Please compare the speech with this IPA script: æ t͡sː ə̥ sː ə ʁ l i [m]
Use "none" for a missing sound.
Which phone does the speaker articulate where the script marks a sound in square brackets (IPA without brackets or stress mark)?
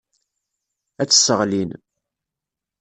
n